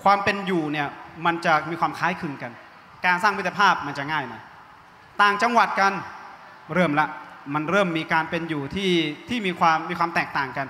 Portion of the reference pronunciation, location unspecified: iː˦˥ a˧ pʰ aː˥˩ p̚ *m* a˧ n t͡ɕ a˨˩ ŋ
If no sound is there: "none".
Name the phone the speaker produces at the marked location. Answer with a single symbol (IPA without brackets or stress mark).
m